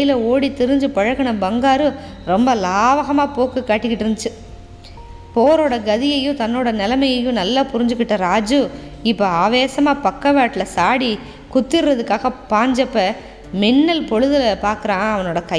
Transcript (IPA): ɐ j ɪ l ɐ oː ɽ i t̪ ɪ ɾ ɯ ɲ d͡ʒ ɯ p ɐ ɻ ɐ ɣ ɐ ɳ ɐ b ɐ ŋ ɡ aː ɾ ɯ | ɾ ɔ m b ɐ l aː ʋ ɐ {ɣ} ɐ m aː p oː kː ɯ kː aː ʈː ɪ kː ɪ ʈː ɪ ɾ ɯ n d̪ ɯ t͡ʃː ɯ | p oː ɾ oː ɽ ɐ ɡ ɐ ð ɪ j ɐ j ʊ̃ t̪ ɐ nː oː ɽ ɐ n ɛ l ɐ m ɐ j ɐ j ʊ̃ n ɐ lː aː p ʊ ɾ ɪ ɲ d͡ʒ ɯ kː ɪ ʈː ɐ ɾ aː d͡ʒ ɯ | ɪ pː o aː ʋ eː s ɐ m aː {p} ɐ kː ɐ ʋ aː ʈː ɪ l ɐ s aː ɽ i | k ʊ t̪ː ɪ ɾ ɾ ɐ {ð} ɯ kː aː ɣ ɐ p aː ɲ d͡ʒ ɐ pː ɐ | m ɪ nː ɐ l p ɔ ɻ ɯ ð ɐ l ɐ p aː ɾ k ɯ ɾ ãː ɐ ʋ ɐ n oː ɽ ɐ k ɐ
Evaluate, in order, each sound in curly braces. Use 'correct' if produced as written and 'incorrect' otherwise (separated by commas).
correct, correct, correct